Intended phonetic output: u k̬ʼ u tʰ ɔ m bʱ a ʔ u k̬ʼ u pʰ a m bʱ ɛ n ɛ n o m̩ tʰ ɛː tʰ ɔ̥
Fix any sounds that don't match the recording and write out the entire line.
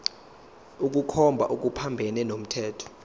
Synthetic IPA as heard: u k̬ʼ u kʰ ɔ m bʱ a ʔ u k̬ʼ u pʰ a m bʱ ɛ n ɛ n o m̩ tʰ ɛː tʰ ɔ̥